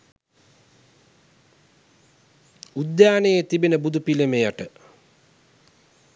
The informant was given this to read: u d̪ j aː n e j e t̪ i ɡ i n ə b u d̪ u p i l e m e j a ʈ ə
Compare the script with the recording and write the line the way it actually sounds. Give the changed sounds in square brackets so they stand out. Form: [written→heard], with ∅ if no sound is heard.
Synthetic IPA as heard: u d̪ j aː n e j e t̪ i [ɡ→b] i n ə b u d̪ u p i l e m e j a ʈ ə